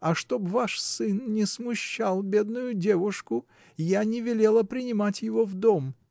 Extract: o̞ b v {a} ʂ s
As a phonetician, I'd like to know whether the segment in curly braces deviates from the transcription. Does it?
no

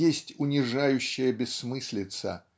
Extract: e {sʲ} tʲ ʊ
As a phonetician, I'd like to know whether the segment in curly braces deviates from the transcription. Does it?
no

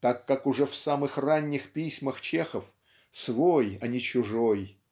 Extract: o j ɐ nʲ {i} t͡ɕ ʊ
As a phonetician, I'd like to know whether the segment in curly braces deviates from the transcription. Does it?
yes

